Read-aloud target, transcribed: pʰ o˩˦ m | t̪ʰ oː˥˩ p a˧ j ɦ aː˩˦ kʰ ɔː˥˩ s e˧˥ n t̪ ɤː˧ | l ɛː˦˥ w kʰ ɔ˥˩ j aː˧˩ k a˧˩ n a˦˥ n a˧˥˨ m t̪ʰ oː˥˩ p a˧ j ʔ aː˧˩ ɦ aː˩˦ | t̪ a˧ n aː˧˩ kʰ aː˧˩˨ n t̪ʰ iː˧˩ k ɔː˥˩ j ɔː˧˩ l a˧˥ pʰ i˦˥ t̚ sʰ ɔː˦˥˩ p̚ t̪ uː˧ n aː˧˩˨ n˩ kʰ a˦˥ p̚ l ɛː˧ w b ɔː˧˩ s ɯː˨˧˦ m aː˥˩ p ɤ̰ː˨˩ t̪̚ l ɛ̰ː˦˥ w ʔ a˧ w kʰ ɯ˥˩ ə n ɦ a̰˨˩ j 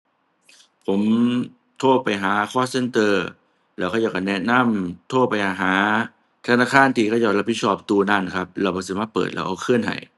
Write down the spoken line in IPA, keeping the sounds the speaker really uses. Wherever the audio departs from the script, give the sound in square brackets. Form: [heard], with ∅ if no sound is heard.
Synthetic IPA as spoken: pʰ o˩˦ m | t̪ʰ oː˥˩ p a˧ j ɦ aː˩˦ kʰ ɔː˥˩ s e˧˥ n t̪ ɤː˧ | l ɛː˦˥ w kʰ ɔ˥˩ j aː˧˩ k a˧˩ n [ɛ˦˥] n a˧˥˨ m t̪ʰ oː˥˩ p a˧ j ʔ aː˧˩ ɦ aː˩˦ | [t̪ʰ] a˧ n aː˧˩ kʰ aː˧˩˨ n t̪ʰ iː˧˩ k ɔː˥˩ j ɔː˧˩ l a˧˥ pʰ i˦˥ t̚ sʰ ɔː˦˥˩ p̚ t̪ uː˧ n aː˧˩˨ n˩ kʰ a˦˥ p̚ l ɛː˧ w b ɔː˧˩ s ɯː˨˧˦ m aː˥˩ p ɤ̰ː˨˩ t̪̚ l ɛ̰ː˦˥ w ʔ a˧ w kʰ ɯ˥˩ ə n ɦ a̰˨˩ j